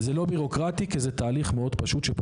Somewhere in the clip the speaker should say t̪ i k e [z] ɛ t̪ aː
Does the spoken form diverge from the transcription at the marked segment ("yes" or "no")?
no